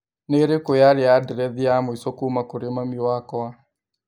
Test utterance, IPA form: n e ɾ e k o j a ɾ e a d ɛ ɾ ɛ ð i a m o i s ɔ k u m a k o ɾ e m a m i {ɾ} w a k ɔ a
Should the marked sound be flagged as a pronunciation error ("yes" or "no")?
yes